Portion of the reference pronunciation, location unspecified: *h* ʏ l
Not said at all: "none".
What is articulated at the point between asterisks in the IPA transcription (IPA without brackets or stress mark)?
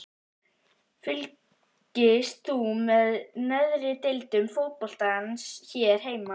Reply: f